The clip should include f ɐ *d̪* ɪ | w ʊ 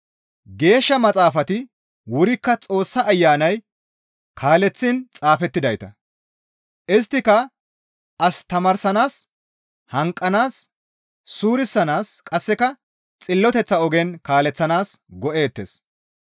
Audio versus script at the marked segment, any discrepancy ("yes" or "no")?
yes